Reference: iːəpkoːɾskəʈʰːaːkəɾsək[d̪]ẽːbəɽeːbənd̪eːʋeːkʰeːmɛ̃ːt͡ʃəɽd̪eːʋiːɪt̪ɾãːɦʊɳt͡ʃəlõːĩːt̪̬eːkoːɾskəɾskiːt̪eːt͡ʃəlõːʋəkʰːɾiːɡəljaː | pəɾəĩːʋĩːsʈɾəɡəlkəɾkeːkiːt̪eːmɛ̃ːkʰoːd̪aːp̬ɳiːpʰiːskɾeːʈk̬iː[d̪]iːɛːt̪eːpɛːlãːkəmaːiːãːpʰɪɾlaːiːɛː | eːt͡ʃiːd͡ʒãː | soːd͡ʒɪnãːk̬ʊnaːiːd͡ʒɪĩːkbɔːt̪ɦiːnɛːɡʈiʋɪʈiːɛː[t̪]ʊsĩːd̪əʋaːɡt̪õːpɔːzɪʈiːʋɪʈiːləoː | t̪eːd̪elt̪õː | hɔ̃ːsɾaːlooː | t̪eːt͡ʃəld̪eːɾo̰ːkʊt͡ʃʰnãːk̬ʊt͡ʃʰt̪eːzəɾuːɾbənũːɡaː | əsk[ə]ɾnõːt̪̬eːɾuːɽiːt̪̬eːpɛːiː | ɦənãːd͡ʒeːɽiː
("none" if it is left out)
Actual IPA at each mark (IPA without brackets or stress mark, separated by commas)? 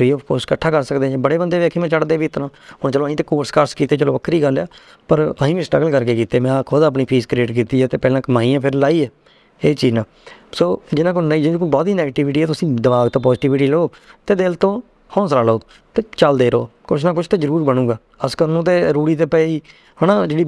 d̪, t̪, t̪, ə